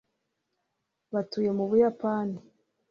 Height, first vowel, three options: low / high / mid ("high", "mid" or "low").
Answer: low